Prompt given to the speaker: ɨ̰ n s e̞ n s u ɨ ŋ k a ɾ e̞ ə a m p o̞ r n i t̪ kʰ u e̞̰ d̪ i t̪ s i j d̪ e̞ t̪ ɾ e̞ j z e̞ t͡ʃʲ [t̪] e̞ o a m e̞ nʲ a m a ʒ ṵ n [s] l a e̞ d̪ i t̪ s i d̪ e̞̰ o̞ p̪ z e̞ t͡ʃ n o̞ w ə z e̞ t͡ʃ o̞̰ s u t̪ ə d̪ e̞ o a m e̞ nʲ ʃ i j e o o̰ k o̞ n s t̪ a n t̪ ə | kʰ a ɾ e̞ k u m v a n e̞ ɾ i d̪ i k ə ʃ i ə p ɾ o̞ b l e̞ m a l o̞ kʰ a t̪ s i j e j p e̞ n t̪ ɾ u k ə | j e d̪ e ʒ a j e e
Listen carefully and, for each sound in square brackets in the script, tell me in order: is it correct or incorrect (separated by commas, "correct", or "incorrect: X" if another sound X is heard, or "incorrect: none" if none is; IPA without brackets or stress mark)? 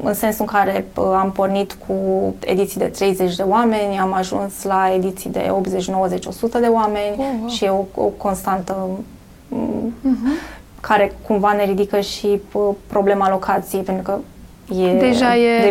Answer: incorrect: d̪, correct